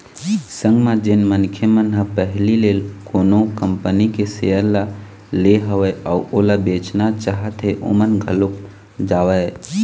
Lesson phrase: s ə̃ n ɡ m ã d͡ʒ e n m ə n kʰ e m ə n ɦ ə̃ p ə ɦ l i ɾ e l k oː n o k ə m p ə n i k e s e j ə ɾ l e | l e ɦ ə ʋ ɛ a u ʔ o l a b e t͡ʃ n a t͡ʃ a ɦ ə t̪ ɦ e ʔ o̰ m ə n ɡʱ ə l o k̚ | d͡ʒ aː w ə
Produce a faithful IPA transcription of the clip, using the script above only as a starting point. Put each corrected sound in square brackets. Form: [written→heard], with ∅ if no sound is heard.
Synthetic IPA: s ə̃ [n→ŋ] ɡ m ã d͡ʒ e n m ə n kʰ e m ə n ɦ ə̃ p ə ɦ l i [ɾ→l] e l k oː n o k ə m p ə n i k e s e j ə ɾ l [e→a] | l e ɦ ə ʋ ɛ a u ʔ o l a b e t͡ʃ n a t͡ʃ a ɦ ə t̪ ɦ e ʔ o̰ m ə n ɡʱ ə l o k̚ | d͡ʒ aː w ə